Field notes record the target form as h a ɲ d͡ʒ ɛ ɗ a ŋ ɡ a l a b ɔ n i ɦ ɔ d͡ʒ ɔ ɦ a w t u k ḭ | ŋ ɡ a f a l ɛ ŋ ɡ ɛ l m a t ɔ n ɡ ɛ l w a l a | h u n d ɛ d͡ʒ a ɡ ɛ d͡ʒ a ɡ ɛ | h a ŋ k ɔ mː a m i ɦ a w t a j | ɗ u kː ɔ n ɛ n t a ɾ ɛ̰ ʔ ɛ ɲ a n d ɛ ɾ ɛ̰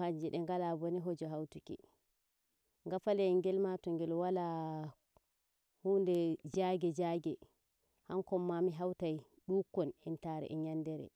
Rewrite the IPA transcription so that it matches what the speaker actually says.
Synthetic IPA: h a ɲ d͡ʒ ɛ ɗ ɛ ŋ ɡ a l a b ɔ n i ɦ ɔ d͡ʒ ɔ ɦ a w t u k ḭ | ŋ ɡ a f a l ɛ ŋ ɡ ɛ l m a t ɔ ŋ ɡ ɛ l w a l a | h u n d ɛ d͡ʒ a ɡ ɛ d͡ʒ a ɡ ɛ | h a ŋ k ɔ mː a m i ɦ a w t a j | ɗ u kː ɔ n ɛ n t a ɾ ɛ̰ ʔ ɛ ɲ a n d ɛ ɾ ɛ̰